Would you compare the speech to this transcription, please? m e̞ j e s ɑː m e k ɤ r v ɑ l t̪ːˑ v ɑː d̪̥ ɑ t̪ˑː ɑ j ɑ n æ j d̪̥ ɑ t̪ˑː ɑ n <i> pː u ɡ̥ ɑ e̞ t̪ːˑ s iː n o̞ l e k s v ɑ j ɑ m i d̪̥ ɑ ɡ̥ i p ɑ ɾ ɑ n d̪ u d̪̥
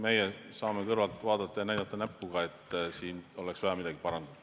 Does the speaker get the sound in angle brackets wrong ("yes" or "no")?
yes